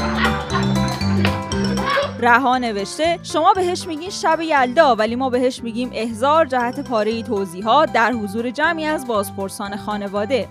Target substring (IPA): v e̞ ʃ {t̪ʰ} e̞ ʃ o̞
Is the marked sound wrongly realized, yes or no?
yes